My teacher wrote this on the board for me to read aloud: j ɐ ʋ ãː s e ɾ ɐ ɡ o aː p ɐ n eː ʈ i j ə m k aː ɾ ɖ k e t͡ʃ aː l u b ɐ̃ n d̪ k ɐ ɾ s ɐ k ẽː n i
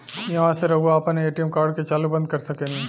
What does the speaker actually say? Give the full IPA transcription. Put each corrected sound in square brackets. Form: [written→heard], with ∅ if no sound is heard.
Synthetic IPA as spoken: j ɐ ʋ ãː s e ɾ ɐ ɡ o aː p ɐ n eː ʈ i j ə m k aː ɾ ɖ k e t͡ʃ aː l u b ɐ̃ n d̪ k ɐ ɾ s ɐ k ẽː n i